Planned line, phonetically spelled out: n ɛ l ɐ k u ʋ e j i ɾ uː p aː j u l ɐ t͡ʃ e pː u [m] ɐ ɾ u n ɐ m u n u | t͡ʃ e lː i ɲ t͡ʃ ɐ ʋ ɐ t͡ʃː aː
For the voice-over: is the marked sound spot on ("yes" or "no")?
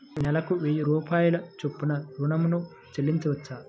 no